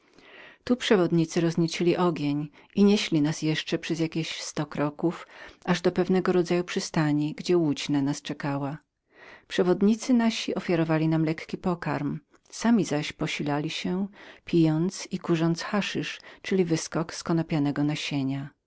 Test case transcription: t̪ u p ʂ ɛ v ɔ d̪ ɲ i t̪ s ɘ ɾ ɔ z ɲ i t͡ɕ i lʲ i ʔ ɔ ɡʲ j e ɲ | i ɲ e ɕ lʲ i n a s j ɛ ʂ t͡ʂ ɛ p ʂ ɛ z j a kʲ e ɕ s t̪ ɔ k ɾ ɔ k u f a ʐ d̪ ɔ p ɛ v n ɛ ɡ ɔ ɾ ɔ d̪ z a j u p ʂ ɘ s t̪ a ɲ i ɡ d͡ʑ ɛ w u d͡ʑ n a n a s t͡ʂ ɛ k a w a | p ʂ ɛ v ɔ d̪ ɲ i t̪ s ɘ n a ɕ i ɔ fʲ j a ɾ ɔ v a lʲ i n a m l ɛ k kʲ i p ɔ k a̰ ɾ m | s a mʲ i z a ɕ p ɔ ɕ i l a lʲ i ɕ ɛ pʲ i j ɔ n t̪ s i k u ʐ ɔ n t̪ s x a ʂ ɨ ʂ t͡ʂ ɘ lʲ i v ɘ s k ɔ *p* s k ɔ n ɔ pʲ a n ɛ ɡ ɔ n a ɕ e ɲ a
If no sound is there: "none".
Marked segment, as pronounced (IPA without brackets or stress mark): k